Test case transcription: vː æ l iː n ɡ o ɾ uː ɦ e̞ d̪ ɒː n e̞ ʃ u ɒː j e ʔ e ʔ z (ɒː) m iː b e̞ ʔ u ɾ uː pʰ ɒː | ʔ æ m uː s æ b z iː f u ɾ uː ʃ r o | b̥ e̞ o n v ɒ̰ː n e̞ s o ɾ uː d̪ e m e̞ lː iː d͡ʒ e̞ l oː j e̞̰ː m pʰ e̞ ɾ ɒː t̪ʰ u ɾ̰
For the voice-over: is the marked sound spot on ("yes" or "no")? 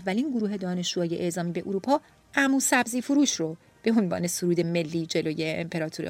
yes